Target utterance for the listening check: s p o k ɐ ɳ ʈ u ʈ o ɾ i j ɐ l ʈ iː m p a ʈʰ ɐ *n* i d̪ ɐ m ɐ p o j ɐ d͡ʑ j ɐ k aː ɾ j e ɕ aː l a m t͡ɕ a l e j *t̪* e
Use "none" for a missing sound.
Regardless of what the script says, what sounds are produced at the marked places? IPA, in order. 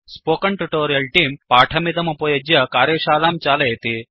m, t̪

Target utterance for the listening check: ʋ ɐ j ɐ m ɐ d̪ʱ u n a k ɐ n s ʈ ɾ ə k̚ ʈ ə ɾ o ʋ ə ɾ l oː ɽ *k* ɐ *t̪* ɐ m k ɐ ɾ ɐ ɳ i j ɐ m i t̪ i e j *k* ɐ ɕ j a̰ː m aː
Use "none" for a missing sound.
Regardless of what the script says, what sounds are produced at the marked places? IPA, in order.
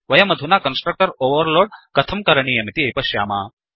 k, t̪ʰ, p

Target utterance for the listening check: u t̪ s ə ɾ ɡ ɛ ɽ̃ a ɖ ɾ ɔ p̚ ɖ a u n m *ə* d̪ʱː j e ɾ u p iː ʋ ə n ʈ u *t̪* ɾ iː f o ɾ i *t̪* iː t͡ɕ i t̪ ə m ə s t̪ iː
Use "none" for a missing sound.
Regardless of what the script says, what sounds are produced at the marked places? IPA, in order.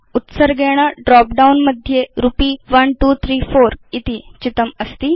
ə, t̪ʰ, t̪

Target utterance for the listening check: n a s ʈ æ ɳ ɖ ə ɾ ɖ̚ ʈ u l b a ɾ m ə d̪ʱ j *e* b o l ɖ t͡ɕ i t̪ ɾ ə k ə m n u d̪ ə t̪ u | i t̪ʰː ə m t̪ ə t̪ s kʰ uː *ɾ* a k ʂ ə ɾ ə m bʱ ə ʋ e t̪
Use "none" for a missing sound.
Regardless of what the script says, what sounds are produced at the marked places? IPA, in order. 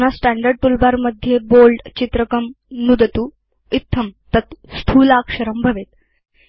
e, l

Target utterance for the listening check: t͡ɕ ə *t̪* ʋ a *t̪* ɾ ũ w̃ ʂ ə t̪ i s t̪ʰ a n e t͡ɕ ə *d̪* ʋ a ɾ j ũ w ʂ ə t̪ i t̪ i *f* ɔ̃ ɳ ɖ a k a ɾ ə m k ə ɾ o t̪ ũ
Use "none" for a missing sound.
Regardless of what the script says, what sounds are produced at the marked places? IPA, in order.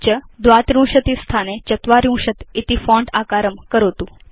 d̪, t̪, t̪, f

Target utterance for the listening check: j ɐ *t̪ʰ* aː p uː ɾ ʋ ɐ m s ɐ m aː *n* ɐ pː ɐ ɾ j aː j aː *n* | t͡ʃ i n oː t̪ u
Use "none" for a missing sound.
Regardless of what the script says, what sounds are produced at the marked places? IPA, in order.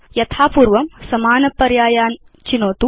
t̪ʰ, n, n

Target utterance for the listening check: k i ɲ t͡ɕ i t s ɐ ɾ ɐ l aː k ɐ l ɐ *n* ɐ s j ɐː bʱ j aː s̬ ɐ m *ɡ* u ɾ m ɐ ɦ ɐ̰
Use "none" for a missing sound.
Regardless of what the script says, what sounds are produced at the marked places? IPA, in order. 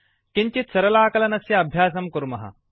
n, k

